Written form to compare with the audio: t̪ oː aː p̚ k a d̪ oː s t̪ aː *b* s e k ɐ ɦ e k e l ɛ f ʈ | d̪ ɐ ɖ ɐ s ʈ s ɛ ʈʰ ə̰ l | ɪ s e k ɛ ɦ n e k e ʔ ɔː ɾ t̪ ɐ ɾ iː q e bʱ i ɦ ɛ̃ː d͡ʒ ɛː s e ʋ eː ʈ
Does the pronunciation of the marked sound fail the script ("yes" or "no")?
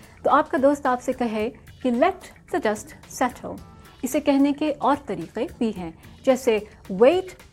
yes